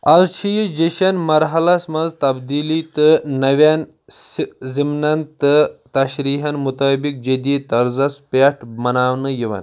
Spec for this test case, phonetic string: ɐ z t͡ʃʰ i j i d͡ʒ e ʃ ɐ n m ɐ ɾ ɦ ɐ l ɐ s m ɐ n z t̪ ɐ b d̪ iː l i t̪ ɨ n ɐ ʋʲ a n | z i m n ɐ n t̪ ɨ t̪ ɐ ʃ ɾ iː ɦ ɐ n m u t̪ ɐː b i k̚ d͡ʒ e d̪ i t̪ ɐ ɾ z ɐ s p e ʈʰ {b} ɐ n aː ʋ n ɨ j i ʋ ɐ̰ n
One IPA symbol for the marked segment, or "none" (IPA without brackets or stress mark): m